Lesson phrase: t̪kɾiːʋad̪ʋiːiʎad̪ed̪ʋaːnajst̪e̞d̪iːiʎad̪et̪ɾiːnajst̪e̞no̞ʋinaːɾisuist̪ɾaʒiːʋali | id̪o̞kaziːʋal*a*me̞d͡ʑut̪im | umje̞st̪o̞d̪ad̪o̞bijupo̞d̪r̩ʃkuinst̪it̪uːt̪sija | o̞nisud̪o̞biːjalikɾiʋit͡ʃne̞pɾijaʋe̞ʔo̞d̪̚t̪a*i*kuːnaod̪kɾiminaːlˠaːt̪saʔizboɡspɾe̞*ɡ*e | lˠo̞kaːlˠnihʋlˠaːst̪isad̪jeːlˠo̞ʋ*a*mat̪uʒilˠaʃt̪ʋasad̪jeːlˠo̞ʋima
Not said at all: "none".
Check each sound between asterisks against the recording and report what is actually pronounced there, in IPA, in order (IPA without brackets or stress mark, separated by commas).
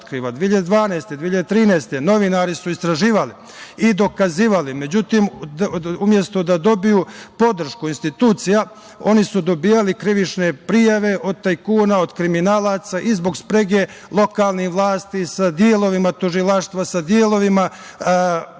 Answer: i, j, ɡ, i